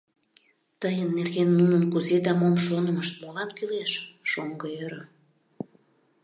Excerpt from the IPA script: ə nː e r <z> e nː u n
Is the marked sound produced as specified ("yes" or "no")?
no